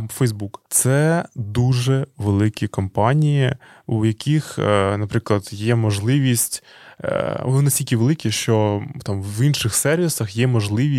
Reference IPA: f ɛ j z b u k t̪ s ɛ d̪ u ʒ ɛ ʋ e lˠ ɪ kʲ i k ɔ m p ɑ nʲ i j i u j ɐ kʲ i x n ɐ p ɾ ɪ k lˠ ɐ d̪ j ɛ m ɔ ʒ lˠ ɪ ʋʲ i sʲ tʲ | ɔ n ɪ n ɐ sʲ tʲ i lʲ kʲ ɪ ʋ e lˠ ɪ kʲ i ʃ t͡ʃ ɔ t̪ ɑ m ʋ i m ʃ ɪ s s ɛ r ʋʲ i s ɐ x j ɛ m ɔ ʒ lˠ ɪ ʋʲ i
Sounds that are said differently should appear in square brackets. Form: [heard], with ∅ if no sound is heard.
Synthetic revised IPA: f ɛ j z b u k t̪ s ɛ d̪ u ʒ ɛ ʋ e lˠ ɪ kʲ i k ɔ m p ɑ nʲ i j i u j ɐ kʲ i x n ɐ p ɾ ɪ k lˠ ɐ d̪ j ɛ m ɔ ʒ lˠ ɪ ʋʲ i sʲ tʲ | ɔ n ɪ n ɐ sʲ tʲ i lʲ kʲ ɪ ʋ e lˠ ɪ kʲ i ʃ t͡ʃ ɔ t̪ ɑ m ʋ i [n] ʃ ɪ [x] s ɛ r ʋʲ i s ɐ x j ɛ m ɔ ʒ lˠ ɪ ʋʲ i